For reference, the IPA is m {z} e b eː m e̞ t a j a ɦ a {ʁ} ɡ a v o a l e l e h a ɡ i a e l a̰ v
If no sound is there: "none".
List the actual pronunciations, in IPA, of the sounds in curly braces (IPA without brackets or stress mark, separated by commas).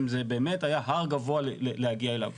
z, ʁ